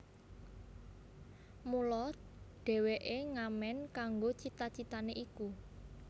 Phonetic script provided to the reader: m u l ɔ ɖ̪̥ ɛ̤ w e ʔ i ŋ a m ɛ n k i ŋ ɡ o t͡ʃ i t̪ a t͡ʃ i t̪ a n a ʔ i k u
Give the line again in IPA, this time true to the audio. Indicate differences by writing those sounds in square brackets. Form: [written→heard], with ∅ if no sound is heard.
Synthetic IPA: m u l ɔ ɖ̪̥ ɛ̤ w e ʔ [i→e] ŋ a m ɛ n k [i→a] ŋ ɡ o t͡ʃ i t̪ a t͡ʃ i t̪ a n [a→e] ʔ i k u